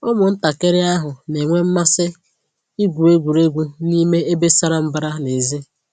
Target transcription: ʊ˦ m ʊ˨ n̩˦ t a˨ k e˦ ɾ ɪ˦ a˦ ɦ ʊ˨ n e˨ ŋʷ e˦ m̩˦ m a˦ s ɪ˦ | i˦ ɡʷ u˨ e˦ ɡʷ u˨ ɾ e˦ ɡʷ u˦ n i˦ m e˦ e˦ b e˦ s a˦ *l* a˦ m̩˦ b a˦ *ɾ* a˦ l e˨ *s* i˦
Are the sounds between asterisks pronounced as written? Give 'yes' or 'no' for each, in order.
no, yes, no

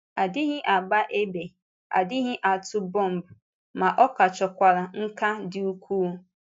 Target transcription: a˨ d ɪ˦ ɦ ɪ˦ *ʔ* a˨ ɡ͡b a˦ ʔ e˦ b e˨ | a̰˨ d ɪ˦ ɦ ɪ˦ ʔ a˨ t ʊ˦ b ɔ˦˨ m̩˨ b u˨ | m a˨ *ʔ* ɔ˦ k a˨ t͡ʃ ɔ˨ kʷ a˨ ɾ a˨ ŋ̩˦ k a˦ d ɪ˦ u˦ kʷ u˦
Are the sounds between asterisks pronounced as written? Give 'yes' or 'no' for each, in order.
yes, yes

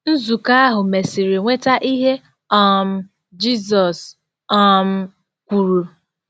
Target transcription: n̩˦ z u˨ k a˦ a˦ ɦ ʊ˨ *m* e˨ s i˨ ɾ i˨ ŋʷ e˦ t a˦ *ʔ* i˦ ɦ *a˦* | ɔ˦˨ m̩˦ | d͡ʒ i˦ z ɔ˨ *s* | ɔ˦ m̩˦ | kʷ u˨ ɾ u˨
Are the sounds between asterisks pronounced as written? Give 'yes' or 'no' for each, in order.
yes, yes, no, yes

